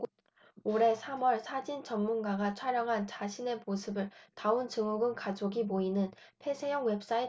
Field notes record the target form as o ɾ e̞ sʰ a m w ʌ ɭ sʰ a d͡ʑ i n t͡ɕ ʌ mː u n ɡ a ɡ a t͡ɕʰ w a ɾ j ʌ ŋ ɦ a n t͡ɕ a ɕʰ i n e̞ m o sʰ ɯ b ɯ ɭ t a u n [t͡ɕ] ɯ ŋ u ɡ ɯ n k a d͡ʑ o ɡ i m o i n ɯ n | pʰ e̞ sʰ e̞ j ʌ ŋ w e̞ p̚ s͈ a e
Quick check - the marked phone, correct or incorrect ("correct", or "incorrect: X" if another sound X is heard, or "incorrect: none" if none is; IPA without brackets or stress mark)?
correct